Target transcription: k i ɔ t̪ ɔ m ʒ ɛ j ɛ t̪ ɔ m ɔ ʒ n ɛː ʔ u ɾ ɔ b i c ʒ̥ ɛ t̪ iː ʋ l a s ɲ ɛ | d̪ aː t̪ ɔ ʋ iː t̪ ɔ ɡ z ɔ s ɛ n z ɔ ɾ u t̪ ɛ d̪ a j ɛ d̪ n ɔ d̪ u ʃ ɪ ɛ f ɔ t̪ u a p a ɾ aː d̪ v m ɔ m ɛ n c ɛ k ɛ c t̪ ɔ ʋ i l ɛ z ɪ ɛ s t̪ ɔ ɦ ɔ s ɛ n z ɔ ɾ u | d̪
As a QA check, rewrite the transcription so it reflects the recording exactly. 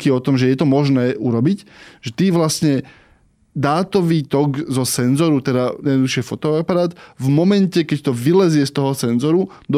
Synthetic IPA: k i ɔ t̪ ɔ m ʒ ɛ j ɛ t̪ ɔ m ɔ ʒ n ɛː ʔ u ɾ ɔ b i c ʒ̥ ɛ t̪ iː ʋ l a s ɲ ɛ | d̪ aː t̪ ɔ ʋ iː t̪ ɔ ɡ z ɔ s ɛ n z ɔ ɾ u t̪ ɛ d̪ a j ɛ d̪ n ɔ d̪ u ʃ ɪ ɛ f ɔ t̪ ɔ a p a ɾ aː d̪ v m ɔ m ɛ n c ɛ k ɛ c t̪ ɔ ʋ i l ɛ z ɪ ɛ s t̪ ɔ ɦ ɔ s ɛ n z ɔ ɾ u | d̪